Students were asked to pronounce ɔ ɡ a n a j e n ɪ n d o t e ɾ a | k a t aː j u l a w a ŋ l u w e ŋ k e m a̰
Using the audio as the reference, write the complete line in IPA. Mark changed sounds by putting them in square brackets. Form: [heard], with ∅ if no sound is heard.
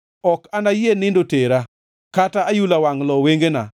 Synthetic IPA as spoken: ɔ [k] a n a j e n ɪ n d o t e ɾ a | k a t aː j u l a w a ŋ l [ɔ] w e ŋ [ɡ] e [n] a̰